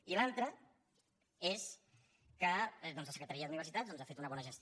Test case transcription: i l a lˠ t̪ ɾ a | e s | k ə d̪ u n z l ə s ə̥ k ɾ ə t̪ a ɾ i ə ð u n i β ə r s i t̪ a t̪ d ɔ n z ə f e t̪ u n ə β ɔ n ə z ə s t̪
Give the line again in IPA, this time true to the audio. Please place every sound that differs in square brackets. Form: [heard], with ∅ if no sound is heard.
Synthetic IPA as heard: i l a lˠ t̪ ɾ [ə] | e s | k ə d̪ [ɔ] n z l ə s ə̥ k ɾ ə t̪ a ɾ i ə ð u n i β ə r s i t̪ a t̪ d ɔ n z [a] f e t̪ u n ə β ɔ n ə [ʒ] ə s t̪